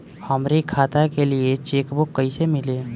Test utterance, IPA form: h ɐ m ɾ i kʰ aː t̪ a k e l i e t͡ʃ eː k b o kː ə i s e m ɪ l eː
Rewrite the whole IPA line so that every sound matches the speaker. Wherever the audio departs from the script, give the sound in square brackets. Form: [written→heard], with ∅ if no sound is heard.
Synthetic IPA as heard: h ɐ m ɾ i kʰ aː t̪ a k e l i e t͡ʃ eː k b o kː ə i s e m ɪ l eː